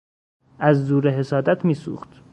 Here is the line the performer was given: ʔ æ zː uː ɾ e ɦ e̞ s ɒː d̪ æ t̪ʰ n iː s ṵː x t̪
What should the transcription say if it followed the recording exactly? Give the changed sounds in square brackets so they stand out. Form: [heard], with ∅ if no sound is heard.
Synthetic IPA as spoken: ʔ æ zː uː ɾ e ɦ e̞ s ɒː d̪ æ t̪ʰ [m] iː s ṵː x t̪